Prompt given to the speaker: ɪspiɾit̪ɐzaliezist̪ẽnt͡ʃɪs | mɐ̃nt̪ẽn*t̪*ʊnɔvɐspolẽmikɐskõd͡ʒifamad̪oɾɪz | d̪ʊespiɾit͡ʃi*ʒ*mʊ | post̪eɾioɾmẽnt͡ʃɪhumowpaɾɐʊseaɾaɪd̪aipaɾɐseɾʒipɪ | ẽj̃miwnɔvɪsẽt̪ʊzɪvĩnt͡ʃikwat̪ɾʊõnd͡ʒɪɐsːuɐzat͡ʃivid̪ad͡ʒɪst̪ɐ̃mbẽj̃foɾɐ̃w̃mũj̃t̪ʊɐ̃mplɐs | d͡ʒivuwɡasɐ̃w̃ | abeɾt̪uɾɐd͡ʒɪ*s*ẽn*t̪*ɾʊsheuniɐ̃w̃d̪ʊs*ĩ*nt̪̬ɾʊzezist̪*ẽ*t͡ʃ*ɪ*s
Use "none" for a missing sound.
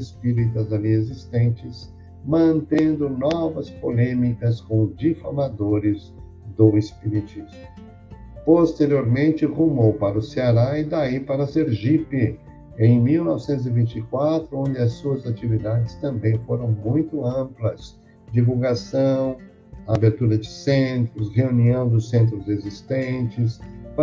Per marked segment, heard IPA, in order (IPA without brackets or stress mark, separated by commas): d̪, z, s, t̪, ẽ, ẽ, ɪ